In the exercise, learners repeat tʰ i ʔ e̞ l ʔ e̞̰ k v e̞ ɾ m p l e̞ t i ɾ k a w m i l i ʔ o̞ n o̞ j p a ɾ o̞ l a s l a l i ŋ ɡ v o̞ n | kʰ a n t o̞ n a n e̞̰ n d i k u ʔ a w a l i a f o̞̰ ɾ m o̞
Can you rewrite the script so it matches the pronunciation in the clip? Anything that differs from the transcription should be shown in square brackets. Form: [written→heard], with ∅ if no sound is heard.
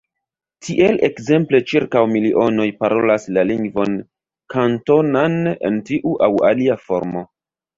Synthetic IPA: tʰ i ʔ e̞ l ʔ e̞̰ k [v→z] e̞ [ɾ→∅] m p l e̞ [t→t͡ʃ] i ɾ k a w m i l i ʔ o̞ n o̞ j p a ɾ o̞ l a s l a l i ŋ ɡ v o̞ n | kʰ a n t o̞ n a n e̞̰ n [d→t] i [k→ʔ] u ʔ a w a l i a f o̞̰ ɾ m o̞